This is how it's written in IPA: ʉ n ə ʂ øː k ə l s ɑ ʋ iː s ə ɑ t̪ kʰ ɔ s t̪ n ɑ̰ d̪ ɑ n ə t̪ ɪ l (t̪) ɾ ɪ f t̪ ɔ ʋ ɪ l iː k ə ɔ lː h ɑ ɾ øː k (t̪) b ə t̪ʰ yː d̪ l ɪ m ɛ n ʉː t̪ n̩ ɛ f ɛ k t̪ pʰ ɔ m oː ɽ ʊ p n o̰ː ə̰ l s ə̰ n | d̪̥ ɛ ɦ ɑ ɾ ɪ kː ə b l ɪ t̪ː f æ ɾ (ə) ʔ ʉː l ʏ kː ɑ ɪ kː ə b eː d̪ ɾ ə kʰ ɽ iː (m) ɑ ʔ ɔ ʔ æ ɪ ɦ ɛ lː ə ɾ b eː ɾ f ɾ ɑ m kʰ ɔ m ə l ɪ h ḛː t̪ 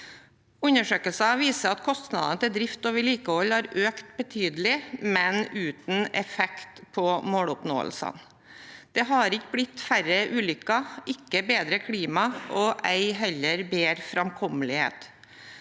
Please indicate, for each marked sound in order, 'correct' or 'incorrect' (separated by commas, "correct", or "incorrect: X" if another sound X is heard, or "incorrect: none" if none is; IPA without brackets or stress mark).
incorrect: d̪, correct, correct, correct